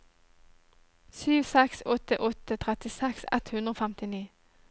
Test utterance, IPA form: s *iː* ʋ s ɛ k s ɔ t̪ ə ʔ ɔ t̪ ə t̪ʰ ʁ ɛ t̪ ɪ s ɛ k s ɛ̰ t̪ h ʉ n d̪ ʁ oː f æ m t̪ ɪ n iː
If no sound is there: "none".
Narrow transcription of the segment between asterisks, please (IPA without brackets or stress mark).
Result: yː